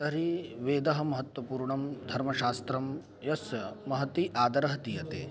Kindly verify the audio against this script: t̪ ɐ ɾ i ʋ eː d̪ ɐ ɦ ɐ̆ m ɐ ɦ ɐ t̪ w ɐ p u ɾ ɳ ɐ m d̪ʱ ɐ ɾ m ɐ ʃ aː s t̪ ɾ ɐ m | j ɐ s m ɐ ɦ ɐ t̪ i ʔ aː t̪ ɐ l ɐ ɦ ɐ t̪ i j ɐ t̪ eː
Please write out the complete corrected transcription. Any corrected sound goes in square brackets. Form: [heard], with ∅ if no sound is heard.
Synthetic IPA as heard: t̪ ɐ ɾ i ʋ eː d̪ ɐ ɦ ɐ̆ m ɐ ɦ ɐ t̪ w ɐ p [uː] ɾ ɳ ɐ m d̪ʱ ɐ ɾ m ɐ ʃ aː s t̪ ɾ ɐ m | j ɐ s m ɐ ɦ ɐ t̪ i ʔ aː [d̪] ɐ [ɾ] ɐ ɦ ɐ t̪ i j ɐ t̪ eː